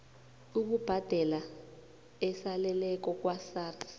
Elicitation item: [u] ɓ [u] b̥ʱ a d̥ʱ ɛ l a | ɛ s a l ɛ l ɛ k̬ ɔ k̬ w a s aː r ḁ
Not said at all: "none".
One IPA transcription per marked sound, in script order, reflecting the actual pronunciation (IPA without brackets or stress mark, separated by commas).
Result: u, u